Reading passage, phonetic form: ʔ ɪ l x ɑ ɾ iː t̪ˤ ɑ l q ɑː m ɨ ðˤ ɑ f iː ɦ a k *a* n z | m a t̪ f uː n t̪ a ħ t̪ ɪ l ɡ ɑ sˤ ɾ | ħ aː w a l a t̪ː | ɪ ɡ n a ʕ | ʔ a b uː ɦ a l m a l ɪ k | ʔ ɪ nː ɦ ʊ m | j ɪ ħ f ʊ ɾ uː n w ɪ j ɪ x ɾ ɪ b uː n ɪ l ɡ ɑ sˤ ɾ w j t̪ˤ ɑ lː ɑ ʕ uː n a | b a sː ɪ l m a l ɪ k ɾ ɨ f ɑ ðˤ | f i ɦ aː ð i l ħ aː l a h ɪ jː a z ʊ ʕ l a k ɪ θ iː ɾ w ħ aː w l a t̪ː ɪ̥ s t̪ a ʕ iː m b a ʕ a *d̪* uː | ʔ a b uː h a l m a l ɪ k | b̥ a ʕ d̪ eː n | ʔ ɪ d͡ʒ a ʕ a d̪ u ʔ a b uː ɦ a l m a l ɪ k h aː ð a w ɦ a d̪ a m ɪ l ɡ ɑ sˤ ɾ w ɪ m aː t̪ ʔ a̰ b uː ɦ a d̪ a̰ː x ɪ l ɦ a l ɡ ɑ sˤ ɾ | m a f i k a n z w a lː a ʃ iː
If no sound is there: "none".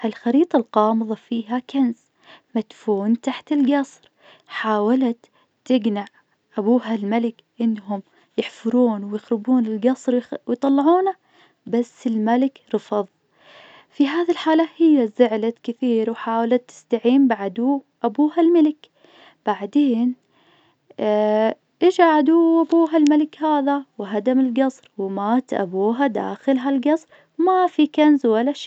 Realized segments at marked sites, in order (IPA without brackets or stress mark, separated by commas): a, d̪